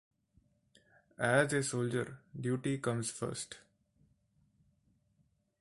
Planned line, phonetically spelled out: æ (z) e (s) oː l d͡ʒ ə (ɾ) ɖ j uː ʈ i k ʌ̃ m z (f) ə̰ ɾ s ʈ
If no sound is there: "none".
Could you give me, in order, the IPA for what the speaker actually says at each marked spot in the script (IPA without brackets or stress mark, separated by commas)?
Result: z, s, ɾ, f